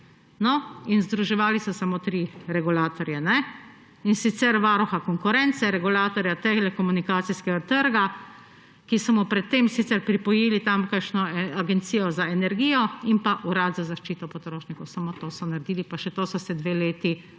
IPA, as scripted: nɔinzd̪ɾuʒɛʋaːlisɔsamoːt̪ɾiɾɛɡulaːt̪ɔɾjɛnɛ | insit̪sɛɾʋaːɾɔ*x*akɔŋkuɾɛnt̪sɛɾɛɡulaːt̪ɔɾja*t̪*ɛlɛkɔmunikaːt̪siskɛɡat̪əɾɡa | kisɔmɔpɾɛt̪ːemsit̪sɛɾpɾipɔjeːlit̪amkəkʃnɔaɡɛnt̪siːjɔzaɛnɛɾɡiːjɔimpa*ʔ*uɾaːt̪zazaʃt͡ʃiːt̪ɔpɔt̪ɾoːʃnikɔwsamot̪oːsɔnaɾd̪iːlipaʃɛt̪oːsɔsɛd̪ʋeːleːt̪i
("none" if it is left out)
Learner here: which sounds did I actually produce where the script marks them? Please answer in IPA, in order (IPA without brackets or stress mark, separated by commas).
x, t̪, ʔ